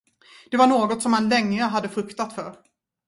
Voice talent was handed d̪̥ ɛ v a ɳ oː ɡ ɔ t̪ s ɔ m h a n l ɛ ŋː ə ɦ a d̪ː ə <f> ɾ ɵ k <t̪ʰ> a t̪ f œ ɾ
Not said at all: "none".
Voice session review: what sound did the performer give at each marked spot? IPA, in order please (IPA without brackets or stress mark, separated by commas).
f, t̪